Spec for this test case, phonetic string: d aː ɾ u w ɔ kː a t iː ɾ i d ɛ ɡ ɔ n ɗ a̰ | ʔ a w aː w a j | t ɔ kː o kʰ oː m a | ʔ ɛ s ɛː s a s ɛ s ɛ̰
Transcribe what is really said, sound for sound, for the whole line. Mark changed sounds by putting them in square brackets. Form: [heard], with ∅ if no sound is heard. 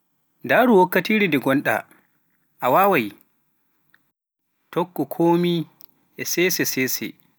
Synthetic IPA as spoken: d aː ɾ u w ɔ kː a t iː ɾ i d ɛ ɡ ɔ n ɗ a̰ | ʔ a w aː w a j | t ɔ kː [ɔ] kʰ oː m [i] | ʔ ɛ s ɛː s [ɛ] s ɛ s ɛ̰

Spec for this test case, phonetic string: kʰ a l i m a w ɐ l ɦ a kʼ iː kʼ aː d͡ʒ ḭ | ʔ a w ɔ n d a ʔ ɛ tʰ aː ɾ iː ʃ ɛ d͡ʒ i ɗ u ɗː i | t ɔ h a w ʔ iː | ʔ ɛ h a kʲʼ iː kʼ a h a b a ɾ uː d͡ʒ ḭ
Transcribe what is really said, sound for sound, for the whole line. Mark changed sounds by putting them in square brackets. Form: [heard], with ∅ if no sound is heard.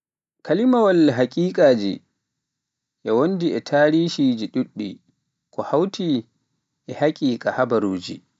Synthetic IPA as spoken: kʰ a l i m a w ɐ l ɦ a kʼ iː kʼ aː d͡ʒ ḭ | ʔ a w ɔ n d [i] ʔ ɛ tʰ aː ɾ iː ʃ [i] d͡ʒ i ɗ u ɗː i | [k] ɔ h a w [t] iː | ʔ ɛ h a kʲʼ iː kʼ a h a b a ɾ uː d͡ʒ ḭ

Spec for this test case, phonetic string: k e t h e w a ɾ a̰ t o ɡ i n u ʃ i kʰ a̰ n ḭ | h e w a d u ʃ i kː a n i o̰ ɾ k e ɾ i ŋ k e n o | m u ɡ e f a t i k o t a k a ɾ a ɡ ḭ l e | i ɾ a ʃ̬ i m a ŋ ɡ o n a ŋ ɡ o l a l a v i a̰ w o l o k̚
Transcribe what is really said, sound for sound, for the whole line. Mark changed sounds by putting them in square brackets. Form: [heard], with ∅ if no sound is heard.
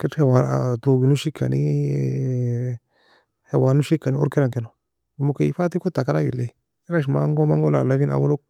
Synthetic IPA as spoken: k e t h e w a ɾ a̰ t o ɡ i n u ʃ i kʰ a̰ n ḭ | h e w a [n] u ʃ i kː a n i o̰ ɾ k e ɾ [a] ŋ k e n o | m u [k] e f a t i k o t a k a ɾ a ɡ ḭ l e | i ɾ a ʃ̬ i m a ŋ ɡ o [m] a ŋ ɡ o l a l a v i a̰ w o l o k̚

